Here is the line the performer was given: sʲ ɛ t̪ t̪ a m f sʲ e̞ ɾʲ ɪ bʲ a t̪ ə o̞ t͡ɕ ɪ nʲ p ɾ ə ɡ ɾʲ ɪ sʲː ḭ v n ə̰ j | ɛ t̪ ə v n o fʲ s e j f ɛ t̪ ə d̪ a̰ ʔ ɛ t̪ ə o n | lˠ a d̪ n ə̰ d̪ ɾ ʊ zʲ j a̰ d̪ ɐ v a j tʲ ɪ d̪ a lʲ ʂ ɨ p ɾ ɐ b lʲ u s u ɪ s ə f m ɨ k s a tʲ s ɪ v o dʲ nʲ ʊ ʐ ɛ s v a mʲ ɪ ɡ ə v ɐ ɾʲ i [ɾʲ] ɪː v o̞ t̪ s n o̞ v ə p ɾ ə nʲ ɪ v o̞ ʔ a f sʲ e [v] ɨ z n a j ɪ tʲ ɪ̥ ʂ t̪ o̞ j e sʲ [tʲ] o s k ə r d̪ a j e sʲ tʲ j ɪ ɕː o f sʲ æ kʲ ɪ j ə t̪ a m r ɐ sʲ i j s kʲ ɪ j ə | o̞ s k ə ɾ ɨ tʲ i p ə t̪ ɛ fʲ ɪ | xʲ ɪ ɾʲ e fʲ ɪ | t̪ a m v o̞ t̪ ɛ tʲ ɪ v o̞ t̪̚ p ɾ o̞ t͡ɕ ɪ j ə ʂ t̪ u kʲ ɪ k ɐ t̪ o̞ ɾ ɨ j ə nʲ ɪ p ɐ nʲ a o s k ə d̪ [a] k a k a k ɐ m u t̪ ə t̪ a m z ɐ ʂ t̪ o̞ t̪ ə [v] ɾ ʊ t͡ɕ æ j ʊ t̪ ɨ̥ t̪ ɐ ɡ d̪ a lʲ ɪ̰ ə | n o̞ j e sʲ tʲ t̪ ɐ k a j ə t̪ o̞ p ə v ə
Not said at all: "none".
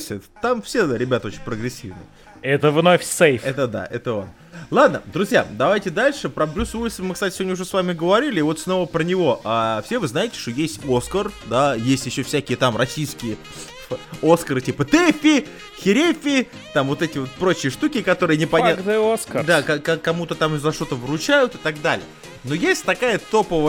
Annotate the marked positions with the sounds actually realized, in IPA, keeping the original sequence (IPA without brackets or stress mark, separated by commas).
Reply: lʲ, v, tʲ, a, v